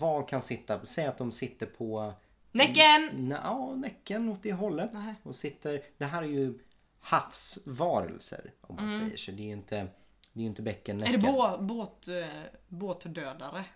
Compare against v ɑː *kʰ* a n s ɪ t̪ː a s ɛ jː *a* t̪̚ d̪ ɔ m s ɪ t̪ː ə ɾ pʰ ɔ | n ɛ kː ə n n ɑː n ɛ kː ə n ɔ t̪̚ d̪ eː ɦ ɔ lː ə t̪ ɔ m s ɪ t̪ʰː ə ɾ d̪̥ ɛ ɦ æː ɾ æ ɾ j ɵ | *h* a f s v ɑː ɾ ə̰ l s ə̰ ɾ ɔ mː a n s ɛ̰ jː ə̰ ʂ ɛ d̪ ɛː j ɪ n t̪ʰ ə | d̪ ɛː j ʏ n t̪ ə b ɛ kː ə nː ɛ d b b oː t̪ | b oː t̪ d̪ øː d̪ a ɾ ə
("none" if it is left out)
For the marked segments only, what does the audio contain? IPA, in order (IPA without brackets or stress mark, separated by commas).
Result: kʰ, a, h